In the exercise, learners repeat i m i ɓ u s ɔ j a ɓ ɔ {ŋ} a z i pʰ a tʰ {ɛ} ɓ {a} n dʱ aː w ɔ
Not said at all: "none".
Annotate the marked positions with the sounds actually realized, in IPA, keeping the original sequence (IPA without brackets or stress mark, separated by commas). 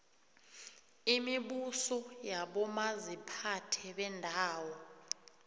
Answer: m, ɛ, ɛ